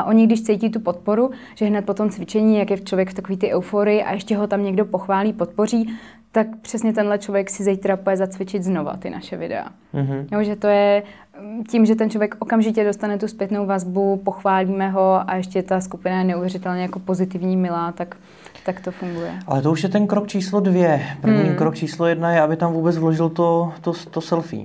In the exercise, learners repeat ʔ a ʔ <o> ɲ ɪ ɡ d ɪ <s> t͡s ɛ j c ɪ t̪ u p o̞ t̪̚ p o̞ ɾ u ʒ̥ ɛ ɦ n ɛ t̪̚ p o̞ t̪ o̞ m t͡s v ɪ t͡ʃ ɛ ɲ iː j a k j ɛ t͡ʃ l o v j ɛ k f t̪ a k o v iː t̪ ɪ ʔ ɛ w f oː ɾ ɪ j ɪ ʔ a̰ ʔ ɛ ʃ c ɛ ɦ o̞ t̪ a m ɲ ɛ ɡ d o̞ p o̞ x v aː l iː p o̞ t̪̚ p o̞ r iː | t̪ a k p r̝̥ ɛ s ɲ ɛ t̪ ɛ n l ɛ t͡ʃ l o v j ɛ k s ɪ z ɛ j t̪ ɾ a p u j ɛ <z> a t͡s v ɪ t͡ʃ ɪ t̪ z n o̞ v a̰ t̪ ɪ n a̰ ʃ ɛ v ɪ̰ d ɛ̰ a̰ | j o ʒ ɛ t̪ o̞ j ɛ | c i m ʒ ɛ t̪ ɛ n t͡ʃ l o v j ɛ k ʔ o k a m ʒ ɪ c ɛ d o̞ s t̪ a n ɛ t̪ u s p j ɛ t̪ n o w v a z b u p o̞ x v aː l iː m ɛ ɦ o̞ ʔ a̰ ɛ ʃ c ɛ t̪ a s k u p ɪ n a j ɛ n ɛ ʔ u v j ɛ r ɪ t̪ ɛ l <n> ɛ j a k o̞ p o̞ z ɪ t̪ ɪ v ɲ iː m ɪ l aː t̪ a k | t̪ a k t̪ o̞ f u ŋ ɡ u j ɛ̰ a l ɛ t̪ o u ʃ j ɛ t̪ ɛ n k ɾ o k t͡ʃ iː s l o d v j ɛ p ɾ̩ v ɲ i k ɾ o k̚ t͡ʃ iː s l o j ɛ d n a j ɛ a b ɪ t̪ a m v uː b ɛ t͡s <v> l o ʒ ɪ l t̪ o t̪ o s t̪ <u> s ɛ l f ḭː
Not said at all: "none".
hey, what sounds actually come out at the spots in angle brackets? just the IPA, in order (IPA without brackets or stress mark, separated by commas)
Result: o, ʃ, z, ɲ, v, o